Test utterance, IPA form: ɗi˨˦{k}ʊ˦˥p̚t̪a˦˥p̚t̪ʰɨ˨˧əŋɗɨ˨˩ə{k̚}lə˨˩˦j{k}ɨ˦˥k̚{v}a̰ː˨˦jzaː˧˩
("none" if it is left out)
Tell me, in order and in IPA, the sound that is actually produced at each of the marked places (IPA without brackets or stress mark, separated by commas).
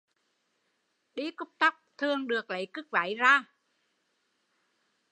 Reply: k, k̚, k, v